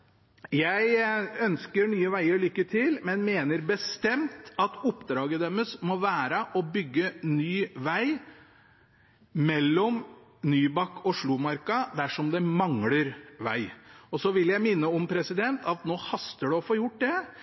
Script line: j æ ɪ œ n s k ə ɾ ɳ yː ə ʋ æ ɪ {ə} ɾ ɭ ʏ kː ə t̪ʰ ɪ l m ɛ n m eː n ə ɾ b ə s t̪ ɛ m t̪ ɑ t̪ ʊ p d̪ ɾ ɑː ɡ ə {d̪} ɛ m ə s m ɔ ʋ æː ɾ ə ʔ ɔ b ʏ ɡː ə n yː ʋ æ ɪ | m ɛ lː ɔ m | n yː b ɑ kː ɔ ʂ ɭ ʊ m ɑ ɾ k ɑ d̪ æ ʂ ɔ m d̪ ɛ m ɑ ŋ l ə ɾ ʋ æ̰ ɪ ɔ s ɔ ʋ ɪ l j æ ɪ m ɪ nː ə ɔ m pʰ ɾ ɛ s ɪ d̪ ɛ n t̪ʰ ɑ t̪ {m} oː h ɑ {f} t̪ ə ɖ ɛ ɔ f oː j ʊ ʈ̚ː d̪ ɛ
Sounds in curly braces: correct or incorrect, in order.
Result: correct, correct, incorrect, incorrect

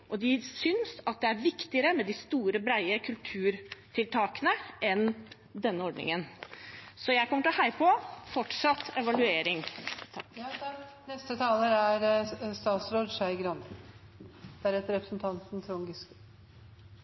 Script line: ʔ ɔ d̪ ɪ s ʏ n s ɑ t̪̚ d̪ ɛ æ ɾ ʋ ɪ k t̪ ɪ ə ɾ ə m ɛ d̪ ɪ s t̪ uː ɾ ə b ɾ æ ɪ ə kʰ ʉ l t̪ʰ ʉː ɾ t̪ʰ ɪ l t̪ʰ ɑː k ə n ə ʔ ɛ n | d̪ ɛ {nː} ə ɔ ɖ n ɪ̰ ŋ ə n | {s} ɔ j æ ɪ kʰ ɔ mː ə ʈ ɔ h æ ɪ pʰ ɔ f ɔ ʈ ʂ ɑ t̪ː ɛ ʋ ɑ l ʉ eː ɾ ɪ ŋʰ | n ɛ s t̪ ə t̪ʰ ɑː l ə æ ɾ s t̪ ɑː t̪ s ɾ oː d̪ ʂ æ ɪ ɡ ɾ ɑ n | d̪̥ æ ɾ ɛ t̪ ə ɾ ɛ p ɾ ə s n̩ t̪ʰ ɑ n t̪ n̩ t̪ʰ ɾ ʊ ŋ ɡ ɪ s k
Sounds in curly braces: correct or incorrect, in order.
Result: correct, correct

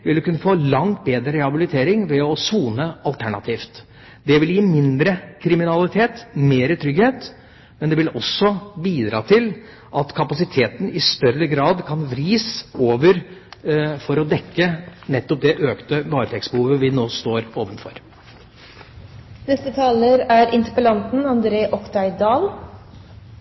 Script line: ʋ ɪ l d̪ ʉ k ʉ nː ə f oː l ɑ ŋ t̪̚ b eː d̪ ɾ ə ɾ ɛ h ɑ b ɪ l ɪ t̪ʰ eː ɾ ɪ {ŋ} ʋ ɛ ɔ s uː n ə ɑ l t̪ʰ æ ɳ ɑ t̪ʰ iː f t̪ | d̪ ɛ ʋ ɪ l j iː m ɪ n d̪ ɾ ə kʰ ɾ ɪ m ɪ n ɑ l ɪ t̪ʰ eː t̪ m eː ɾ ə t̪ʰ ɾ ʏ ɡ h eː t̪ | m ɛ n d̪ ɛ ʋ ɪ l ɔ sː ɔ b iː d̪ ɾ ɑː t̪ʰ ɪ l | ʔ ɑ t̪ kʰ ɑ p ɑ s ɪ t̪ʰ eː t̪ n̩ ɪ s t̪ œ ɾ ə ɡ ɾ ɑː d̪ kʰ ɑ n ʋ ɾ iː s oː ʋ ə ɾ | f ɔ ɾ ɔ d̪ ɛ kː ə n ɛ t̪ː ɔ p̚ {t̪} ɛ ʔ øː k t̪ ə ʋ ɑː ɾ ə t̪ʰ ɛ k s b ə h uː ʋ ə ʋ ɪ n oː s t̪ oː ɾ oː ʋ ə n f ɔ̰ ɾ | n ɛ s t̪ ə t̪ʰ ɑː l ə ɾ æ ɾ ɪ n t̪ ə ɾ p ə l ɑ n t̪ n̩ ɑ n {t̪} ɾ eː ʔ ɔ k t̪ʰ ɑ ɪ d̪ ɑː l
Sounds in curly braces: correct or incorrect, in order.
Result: correct, incorrect, incorrect

